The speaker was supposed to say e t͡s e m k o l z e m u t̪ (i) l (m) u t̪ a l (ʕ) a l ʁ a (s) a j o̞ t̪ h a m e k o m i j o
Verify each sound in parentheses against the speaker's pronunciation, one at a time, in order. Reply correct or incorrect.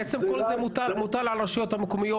incorrect: a, correct, correct, incorrect: ʃ

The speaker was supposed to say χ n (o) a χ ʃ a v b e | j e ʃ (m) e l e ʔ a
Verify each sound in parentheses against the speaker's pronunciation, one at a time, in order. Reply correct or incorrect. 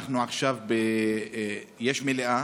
incorrect: u, correct

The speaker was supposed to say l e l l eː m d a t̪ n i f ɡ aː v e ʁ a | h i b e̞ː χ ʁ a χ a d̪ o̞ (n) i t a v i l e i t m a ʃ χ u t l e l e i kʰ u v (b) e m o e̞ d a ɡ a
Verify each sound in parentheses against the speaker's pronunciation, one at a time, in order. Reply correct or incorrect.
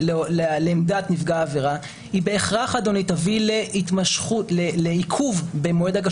correct, correct

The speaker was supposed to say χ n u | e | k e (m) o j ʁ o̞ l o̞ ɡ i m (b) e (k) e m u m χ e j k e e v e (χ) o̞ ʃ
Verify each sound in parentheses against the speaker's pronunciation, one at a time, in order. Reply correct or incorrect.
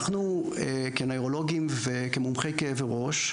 incorrect: n, incorrect: v, correct, incorrect: ʁ

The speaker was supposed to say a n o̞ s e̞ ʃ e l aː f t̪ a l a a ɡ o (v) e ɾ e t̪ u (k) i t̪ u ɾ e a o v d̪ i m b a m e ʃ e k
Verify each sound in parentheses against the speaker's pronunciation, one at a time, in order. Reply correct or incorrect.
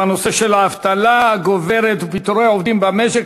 correct, incorrect: p

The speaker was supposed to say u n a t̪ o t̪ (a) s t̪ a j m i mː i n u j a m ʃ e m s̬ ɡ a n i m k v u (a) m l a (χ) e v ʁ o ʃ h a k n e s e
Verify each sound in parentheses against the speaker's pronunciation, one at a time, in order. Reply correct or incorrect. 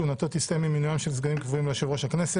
incorrect: i, incorrect: i, incorrect: ʃ

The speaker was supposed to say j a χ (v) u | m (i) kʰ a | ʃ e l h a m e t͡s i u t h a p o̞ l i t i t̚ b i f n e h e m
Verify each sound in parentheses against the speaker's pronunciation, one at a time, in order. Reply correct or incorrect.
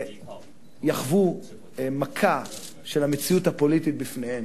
correct, incorrect: a

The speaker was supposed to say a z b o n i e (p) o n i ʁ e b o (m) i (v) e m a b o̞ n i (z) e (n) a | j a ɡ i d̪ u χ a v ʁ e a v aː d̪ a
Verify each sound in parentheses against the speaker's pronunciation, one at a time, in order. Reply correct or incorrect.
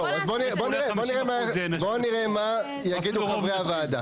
incorrect: b, incorrect: n, incorrect: ʁ, incorrect: ʁ, incorrect: m

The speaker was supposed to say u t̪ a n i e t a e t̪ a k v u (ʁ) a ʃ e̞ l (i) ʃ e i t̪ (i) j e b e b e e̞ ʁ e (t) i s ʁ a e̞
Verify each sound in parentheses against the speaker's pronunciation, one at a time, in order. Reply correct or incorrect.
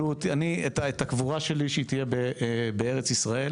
correct, correct, correct, incorrect: t͡s

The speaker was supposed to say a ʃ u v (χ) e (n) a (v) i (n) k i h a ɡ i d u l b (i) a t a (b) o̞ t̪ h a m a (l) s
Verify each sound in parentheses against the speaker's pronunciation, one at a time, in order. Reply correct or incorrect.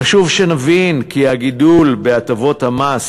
incorrect: ʃ, correct, correct, correct, incorrect: e, incorrect: v, incorrect: none

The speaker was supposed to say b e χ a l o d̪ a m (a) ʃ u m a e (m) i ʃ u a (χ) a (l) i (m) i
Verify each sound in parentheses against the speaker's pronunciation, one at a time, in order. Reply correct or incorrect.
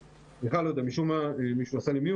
incorrect: i, correct, incorrect: s, correct, correct

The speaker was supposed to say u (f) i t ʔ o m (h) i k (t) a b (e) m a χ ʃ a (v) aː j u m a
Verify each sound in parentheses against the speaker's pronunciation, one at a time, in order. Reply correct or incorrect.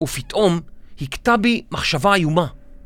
correct, correct, correct, incorrect: i, correct

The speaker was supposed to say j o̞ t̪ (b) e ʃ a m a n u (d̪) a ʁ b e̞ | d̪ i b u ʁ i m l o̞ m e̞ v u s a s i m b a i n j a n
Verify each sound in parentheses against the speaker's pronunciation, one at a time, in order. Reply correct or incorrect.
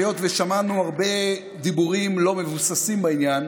incorrect: v, incorrect: none

